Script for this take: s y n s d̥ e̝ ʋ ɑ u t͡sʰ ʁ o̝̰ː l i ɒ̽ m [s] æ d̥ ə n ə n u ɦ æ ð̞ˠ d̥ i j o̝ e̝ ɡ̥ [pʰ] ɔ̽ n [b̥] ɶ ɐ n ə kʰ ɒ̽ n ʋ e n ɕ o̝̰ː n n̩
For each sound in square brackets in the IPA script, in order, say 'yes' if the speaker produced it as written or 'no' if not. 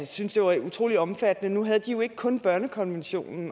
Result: no, no, yes

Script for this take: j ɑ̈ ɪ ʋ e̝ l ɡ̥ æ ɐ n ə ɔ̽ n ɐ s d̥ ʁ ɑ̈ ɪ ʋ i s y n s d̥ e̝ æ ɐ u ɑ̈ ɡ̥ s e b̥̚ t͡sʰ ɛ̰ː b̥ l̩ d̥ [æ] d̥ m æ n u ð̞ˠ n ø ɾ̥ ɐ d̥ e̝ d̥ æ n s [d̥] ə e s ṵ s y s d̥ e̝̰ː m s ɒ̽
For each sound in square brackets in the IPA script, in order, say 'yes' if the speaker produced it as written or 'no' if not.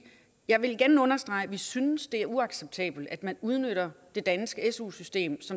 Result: yes, no

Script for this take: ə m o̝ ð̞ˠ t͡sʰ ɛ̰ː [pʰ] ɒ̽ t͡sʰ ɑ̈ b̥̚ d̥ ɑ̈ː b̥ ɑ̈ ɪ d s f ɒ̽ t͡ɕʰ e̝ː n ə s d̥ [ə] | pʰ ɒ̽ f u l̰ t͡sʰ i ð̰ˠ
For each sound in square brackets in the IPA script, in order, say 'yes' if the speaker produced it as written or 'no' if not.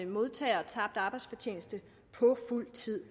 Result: no, yes

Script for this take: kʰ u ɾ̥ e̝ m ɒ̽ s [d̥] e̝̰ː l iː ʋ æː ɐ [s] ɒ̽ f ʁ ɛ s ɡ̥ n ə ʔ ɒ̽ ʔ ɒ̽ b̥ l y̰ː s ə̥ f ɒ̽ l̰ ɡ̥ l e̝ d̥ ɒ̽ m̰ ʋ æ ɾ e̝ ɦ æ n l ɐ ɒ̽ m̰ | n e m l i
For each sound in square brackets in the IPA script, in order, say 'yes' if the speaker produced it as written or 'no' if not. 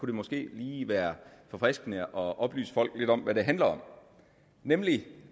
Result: no, no

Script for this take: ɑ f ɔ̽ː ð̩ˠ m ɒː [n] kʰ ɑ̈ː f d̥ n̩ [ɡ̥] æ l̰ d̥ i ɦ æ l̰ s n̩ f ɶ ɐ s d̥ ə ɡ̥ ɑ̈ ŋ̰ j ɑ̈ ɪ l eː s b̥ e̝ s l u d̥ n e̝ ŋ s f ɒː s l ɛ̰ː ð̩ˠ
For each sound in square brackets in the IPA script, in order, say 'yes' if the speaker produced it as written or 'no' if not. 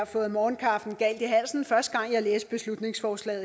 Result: yes, yes

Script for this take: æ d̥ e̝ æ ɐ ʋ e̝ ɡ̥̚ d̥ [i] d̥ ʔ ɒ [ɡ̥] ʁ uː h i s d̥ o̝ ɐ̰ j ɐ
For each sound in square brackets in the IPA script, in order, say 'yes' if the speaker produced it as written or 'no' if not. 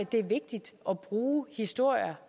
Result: yes, no

